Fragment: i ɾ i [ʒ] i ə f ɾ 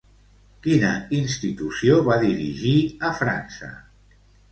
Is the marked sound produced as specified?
yes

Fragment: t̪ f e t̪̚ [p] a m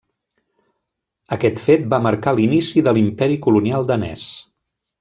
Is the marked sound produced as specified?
no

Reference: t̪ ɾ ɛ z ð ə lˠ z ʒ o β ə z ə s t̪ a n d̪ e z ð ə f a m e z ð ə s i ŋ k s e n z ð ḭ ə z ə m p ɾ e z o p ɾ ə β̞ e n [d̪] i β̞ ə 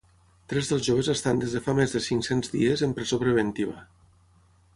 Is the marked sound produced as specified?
no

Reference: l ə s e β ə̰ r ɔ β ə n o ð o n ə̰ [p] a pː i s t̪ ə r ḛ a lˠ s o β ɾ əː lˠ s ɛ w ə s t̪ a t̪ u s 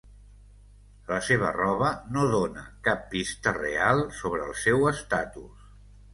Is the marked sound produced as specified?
no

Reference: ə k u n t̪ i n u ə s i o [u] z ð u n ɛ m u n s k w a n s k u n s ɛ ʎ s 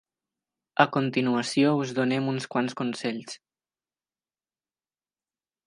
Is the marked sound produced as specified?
yes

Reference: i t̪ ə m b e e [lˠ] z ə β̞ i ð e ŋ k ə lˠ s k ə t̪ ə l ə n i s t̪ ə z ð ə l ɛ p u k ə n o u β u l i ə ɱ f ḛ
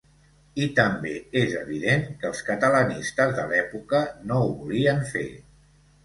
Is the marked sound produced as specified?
no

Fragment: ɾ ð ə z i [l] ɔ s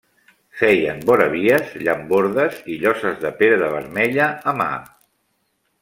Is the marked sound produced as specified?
no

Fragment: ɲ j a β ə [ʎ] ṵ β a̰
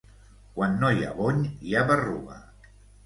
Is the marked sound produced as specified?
no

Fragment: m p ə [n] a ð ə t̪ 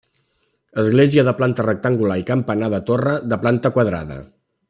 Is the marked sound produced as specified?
yes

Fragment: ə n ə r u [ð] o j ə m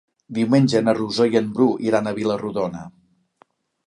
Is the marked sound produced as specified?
no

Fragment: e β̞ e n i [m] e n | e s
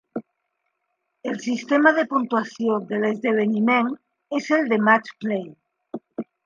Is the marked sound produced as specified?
yes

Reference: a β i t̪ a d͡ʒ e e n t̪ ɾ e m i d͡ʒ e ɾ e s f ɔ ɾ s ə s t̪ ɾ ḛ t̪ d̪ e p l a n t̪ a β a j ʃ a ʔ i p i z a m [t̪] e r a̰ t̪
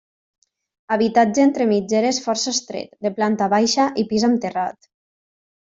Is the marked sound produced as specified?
yes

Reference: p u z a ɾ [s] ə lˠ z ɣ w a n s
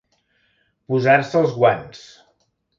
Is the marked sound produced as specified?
yes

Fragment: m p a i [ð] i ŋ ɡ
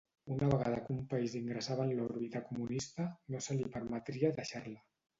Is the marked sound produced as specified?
no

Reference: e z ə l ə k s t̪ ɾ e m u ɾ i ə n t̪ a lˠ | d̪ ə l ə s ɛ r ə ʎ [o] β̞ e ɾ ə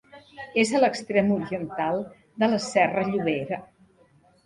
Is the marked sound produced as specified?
no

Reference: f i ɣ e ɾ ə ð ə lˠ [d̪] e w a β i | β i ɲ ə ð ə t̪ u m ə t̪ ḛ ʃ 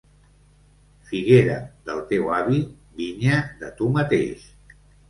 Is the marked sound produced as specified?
no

